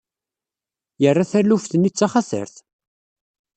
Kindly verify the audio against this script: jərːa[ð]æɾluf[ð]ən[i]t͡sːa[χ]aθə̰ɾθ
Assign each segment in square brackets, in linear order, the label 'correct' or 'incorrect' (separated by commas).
incorrect, incorrect, correct, correct